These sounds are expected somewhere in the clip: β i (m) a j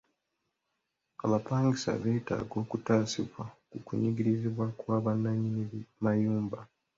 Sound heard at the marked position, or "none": m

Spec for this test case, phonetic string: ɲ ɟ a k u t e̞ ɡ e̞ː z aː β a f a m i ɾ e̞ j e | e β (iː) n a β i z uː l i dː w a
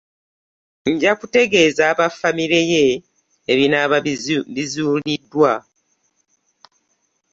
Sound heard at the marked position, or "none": i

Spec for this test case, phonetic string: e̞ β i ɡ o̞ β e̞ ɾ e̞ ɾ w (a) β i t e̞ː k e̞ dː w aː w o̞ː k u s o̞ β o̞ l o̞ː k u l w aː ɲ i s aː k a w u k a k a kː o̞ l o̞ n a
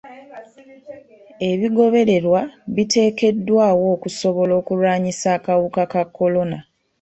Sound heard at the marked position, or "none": a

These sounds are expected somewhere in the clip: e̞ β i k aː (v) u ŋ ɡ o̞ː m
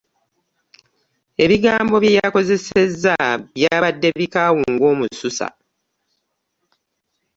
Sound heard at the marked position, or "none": w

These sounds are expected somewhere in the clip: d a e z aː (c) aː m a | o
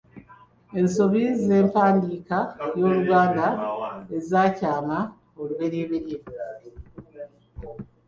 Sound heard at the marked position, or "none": c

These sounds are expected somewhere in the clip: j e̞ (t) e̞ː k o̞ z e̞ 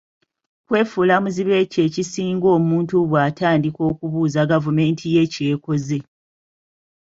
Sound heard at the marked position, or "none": c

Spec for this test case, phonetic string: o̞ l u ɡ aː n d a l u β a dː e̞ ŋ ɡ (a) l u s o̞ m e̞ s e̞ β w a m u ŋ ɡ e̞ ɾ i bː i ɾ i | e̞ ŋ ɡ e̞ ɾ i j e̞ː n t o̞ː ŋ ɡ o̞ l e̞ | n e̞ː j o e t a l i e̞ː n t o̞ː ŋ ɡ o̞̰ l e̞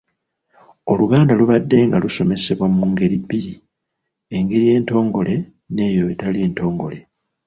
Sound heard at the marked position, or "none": a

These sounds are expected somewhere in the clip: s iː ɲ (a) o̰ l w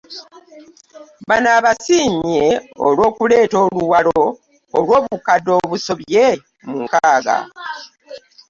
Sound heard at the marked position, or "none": e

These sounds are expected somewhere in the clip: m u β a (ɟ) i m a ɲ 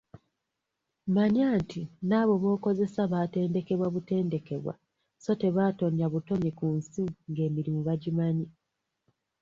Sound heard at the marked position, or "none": ɟ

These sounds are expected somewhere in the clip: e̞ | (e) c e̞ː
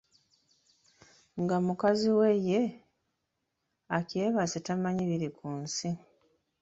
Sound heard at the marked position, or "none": a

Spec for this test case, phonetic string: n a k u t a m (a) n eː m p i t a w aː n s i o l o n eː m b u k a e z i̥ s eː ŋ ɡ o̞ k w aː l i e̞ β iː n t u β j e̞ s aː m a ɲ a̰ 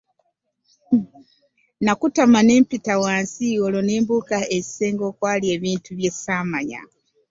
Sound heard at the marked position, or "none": a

